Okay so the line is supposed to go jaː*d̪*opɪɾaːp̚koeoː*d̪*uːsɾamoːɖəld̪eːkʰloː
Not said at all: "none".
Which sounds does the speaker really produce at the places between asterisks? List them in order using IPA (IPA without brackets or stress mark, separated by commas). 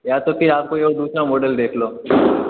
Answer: t̪, d̪